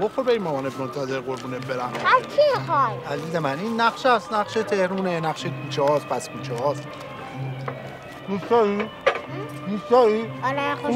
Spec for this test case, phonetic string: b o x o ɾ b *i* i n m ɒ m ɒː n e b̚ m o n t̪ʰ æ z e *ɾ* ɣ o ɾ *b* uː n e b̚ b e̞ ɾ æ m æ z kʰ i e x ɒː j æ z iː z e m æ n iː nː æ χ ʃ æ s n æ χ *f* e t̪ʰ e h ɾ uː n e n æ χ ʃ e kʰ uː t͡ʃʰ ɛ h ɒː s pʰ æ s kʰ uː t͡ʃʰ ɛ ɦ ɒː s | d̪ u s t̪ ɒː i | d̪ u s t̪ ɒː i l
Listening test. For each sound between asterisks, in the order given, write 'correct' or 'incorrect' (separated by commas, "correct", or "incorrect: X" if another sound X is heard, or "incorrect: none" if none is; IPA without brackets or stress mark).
incorrect: e, correct, correct, incorrect: ʃ